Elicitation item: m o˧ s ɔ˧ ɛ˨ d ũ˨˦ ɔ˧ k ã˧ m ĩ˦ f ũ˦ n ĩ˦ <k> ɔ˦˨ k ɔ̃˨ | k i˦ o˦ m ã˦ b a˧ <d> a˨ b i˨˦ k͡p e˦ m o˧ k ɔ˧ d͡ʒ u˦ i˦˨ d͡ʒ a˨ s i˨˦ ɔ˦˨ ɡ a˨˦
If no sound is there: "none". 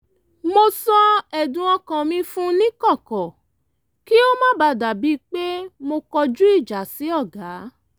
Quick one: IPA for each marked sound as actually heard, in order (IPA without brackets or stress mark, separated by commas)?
k, d